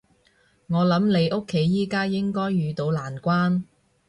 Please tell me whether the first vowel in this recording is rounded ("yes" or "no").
yes